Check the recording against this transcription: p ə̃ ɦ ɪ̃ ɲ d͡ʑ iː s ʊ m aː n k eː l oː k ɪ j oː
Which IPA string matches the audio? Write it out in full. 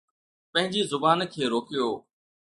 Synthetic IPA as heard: p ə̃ ɦ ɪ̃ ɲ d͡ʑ iː z ʊ b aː n kʰ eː ɾ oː k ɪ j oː